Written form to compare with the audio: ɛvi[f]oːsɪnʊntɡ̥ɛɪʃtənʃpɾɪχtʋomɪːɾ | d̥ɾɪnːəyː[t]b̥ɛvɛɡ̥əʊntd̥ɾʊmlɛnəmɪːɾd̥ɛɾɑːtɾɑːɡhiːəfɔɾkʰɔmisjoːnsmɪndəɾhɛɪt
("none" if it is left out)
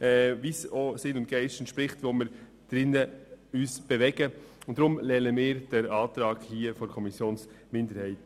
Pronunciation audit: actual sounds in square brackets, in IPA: s, s

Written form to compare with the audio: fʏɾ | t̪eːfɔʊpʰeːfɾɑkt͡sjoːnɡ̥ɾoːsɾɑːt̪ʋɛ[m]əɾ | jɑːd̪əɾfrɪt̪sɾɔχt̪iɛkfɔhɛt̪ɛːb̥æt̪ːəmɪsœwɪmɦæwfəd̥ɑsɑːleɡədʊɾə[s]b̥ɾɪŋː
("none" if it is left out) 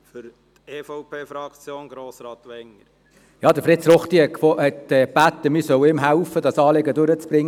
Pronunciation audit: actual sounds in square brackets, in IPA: ŋ, t͡s

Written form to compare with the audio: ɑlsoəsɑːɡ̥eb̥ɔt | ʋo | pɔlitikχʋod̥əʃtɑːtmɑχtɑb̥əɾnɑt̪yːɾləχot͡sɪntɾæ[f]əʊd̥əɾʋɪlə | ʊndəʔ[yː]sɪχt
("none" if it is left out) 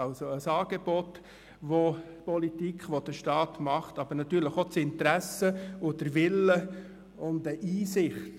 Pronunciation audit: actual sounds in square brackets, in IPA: s, iː

